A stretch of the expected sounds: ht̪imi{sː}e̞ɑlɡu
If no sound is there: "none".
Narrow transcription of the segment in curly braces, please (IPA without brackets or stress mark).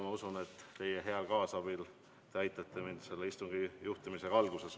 s